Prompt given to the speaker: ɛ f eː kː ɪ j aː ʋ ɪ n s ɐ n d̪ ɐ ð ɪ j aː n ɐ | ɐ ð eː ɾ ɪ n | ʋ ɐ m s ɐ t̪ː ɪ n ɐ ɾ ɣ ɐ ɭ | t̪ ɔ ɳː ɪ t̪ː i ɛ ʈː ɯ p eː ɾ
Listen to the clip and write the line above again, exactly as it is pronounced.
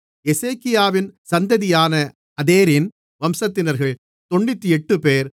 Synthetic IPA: ɛ s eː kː ɪ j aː ʋ ɪ n s ɐ n d̪ ɐ ð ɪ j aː n ɐ | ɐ ð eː ɾ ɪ n | ʋ ɐ m s ɐ t̪ː ɪ n ɐ ɾ ɣ ɐ ɭ | t̪ ɔ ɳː ɪ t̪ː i ɛ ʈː ɯ p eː ɾ